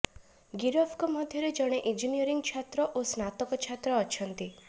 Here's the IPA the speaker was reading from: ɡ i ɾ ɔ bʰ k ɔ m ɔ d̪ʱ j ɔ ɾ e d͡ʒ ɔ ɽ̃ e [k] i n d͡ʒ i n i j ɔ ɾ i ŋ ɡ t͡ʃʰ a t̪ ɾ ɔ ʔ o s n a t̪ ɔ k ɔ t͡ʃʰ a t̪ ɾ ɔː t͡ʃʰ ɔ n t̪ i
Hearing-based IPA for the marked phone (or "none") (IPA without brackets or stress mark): ʔ